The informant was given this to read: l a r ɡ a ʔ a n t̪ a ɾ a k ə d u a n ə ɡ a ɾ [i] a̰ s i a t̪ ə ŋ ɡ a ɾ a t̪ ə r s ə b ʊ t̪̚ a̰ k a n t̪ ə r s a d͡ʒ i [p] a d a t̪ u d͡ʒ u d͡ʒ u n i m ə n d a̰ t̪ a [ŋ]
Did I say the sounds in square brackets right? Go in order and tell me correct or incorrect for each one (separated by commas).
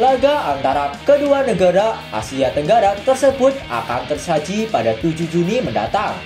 incorrect, correct, correct